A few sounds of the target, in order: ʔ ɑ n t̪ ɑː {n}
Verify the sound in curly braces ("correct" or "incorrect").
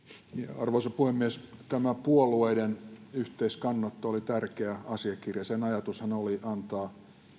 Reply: incorrect